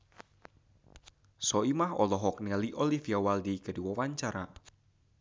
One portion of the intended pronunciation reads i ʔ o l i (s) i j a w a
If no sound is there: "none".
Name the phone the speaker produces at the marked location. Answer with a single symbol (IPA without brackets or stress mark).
f